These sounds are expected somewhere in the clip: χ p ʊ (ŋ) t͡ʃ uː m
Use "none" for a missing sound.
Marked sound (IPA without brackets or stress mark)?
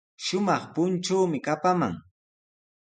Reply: n